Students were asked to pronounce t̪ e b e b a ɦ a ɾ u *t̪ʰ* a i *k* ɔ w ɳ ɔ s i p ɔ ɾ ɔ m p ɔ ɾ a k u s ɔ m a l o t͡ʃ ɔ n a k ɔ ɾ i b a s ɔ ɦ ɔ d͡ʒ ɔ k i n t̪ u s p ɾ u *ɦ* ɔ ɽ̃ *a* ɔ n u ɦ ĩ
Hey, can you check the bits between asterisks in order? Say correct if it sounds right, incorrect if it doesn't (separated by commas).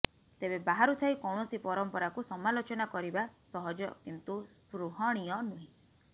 correct, correct, correct, incorrect